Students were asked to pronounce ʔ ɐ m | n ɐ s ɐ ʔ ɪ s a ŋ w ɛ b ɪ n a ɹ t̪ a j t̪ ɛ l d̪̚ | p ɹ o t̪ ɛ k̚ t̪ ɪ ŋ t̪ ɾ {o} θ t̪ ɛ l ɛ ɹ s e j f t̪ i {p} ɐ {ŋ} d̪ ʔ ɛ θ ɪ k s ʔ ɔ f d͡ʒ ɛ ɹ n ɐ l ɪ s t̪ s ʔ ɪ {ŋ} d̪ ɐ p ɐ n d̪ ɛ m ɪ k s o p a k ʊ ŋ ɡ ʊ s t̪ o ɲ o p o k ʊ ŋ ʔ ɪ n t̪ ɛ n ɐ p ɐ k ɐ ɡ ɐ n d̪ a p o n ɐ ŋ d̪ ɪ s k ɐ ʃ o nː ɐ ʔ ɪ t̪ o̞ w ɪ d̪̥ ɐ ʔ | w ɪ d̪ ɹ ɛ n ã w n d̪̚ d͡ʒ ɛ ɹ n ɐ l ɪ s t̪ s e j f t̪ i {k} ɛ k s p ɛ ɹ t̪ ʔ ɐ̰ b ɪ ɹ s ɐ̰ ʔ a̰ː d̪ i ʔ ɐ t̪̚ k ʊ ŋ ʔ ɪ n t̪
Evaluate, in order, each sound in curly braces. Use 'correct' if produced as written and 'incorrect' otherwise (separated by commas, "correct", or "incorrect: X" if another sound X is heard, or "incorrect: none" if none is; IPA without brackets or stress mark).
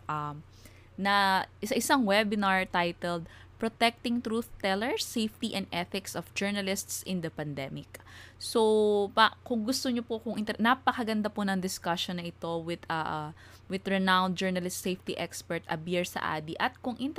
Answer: incorrect: u, incorrect: ʔ, incorrect: n, incorrect: n, incorrect: ʔ